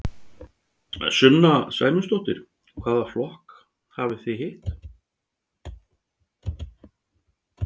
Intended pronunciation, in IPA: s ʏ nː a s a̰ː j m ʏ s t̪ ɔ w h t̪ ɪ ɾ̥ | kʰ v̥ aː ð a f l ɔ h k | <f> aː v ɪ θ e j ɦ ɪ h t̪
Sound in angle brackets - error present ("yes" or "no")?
yes